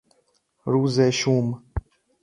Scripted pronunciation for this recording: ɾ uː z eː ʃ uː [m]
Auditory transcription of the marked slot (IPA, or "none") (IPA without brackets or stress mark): m